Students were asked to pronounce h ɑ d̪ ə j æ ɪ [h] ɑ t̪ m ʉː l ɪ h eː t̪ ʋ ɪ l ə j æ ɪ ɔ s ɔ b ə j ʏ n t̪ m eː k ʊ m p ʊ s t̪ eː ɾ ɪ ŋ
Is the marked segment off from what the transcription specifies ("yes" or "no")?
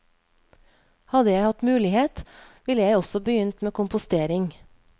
no